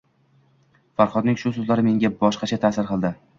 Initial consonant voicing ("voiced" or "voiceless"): voiceless